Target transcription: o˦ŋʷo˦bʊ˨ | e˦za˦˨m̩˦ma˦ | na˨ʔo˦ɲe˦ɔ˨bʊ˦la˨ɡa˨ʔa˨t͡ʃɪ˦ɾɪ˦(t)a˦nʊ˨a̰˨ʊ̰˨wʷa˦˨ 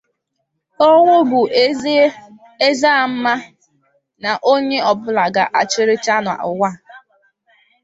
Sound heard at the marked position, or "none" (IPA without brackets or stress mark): t͡ʃ